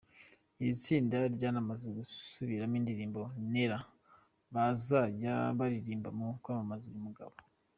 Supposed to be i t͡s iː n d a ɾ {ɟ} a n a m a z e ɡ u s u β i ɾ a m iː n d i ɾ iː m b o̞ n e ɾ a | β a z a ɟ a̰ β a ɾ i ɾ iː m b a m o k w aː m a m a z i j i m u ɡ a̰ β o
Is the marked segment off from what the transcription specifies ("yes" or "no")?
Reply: no